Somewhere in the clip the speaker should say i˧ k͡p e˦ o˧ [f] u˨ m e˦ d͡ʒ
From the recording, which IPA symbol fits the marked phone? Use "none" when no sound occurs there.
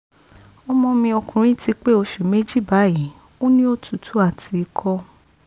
ʃ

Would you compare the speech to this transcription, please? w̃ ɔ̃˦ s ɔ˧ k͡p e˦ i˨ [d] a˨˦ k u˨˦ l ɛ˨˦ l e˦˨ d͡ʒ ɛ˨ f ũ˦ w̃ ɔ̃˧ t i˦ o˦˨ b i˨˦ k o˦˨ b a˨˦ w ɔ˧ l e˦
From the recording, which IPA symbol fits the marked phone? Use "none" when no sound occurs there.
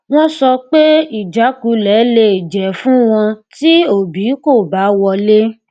d͡ʒ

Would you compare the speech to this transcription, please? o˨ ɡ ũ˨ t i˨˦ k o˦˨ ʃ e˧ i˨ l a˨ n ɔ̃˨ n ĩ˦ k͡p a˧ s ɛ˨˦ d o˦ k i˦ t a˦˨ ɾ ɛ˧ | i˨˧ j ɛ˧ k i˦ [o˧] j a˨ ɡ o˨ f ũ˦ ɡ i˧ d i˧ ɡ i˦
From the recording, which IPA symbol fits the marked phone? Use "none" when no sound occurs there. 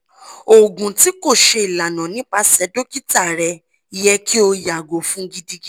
o˧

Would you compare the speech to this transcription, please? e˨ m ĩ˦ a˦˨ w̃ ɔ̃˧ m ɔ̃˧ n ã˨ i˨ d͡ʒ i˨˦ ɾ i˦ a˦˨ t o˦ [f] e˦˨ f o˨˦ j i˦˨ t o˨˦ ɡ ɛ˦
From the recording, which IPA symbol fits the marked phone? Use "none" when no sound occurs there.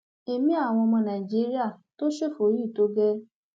ʃ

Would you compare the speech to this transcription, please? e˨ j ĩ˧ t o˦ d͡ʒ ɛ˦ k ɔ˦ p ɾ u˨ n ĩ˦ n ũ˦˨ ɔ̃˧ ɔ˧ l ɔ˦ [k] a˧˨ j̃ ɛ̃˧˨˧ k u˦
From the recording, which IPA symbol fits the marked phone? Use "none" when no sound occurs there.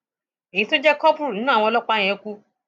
k͡p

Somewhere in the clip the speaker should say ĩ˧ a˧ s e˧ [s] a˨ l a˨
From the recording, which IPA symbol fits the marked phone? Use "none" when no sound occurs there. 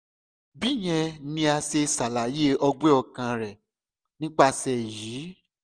s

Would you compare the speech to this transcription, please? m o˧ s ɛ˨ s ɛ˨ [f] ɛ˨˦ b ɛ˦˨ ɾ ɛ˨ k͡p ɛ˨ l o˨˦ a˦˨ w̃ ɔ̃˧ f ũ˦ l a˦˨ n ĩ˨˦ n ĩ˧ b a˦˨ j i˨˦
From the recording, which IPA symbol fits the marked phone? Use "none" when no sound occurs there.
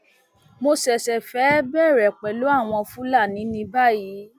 f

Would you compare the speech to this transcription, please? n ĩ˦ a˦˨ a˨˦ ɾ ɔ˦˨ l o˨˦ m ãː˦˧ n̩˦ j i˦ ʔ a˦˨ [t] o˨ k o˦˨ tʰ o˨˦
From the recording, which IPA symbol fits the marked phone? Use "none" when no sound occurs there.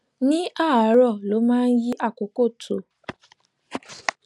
k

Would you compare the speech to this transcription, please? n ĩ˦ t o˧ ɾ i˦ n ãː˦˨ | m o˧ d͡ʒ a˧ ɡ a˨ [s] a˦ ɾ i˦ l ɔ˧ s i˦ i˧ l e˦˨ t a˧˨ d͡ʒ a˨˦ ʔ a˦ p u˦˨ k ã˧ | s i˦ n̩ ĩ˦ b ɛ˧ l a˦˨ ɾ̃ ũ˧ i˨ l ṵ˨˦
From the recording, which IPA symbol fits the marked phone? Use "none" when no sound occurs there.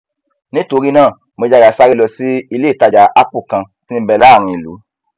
s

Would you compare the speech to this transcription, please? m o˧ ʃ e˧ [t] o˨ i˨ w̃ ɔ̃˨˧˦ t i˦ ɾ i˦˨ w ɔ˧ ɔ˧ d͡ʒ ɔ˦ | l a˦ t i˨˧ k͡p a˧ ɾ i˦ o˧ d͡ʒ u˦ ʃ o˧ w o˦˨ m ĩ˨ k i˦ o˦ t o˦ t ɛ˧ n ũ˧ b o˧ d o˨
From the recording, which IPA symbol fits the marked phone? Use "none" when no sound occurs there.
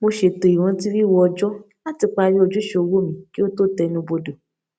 t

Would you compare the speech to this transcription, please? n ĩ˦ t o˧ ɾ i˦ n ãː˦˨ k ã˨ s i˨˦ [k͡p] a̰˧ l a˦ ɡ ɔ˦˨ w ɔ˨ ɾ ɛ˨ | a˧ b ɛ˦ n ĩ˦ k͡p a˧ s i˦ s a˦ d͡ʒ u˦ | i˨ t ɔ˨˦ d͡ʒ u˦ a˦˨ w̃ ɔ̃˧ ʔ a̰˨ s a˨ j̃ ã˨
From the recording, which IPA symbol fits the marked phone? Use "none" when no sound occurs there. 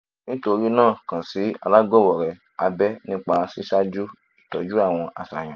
none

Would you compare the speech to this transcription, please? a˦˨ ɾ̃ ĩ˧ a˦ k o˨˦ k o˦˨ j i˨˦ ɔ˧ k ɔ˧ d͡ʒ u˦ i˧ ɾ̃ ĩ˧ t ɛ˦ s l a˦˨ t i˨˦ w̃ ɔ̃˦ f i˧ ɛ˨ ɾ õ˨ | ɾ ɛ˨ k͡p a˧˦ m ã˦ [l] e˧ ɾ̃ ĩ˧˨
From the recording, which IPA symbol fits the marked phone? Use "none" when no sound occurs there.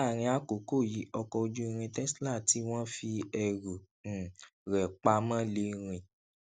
l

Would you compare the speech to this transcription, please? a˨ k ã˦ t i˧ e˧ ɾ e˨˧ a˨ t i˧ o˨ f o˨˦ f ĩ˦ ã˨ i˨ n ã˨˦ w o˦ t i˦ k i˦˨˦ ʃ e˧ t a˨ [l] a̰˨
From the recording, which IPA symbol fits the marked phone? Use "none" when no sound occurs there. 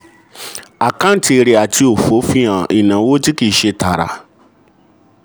ɾ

